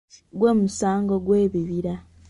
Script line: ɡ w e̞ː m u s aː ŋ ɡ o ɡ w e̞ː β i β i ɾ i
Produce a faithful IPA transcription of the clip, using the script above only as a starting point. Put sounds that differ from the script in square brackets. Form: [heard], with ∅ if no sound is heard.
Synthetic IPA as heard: ɡ w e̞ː m u s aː ŋ ɡ o ɡ w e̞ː β i β i ɾ [a]